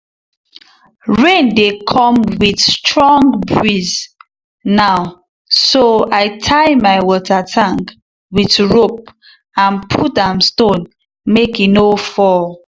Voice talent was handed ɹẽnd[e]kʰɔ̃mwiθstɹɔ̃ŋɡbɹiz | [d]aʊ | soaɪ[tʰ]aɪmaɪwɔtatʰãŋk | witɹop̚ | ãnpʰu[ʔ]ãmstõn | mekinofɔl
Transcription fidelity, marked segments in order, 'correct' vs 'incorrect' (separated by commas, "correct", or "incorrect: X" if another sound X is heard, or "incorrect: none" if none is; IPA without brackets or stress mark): correct, incorrect: n, correct, incorrect: t